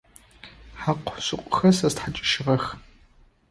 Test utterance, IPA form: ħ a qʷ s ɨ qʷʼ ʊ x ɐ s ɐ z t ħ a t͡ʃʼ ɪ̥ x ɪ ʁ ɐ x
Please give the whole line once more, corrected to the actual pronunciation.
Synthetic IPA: ħ a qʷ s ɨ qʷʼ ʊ x ɐ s ɐ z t ħ a t͡ʃʼ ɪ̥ ʃ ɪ ʁ ɐ x